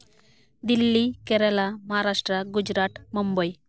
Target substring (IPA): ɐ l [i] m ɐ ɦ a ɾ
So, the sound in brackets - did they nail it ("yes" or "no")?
no